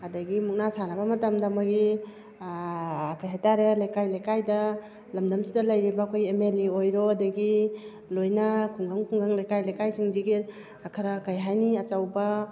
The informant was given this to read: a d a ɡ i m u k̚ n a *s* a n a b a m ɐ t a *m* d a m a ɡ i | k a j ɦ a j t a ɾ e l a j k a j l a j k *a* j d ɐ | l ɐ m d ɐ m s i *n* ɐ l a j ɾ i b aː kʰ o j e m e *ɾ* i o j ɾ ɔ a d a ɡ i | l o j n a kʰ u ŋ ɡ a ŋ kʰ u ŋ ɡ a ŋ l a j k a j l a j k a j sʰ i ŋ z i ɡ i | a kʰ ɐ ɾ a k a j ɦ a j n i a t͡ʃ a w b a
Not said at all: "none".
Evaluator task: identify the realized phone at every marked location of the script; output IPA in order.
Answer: s, m, a, d, l

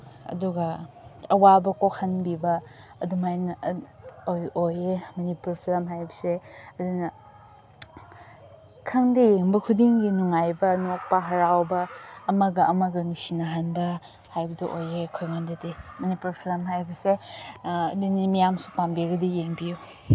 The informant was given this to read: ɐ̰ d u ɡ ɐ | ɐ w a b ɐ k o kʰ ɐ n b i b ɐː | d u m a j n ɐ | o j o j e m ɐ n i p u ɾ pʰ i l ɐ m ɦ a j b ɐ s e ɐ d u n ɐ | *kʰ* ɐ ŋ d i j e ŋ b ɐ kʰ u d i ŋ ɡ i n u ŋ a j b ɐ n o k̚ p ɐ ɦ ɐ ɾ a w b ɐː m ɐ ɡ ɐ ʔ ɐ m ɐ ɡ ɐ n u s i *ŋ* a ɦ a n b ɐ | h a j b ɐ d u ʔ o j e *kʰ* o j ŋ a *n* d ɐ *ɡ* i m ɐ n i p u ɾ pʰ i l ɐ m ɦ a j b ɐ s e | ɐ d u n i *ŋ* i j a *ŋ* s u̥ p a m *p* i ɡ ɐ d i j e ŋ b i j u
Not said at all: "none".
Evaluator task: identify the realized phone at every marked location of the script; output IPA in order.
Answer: kʰ, n, kʰ, n, d, m, m, b

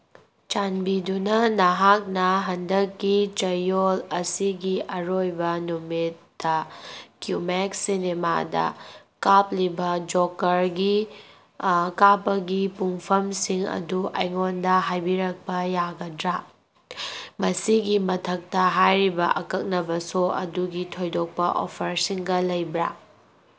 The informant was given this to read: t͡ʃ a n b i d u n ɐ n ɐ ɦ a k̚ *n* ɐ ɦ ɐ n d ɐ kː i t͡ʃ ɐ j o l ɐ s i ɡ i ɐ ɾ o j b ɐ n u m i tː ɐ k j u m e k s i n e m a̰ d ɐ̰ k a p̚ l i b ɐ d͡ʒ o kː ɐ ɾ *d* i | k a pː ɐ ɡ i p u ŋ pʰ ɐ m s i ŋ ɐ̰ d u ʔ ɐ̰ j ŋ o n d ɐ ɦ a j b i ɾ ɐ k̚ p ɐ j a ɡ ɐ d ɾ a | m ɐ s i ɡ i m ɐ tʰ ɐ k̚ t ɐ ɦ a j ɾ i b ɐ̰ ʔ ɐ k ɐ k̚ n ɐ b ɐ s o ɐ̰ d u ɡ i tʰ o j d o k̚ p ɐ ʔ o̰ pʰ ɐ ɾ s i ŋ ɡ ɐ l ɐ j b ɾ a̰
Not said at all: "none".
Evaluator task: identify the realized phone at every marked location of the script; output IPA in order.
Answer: n, ɡ

